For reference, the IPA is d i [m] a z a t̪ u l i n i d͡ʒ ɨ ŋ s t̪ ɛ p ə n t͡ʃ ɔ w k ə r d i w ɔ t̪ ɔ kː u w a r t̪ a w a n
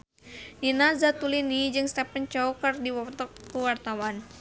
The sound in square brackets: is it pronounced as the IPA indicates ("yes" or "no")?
no